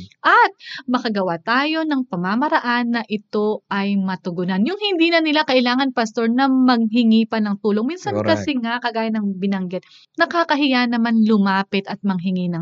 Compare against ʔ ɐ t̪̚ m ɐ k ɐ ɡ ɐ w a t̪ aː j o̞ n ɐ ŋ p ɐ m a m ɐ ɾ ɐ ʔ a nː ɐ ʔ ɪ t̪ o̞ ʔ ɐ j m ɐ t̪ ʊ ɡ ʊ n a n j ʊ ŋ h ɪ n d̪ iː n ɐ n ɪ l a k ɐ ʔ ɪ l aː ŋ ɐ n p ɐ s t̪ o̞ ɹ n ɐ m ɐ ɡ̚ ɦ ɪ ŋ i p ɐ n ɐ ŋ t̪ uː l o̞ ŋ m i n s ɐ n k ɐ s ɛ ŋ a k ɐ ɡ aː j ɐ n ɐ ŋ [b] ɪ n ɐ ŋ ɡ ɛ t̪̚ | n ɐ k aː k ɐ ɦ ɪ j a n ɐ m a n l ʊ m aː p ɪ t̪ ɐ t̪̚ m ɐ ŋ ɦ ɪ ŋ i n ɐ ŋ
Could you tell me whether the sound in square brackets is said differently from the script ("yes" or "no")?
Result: no